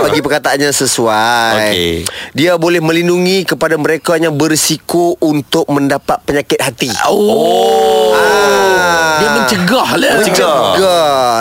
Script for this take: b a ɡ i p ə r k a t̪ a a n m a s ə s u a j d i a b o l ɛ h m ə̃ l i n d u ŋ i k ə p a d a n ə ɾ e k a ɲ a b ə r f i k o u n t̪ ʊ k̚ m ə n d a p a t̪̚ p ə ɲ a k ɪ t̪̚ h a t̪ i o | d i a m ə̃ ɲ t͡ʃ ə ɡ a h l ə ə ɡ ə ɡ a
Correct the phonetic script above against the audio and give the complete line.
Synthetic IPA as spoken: b a ɡ i p ə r k a t̪ a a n ɲ a s ə s u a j d i a b o l ɛ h m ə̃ l i n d u ŋ i k ə p a d a m ə ɾ e k a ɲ a b ə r s i k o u n t̪ ʊ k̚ m ə n d a p a t̪̚ p ə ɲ a k ɪ t̪̚ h a t̪ i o | d i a m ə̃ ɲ t͡ʃ ə ɡ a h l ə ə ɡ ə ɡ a